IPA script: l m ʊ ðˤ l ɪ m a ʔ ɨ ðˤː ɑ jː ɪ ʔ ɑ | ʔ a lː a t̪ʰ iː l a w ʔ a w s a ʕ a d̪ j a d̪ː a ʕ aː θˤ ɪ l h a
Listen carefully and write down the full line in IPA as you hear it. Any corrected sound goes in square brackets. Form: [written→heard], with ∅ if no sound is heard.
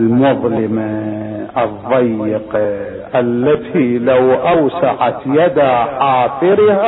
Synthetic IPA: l m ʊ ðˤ l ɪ m a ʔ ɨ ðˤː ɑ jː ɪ [ʔ→q] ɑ | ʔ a lː a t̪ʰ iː l a w ʔ a w s a ʕ a [d̪→t̪] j a [d̪ː→d̪] a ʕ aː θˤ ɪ [l→ɾ] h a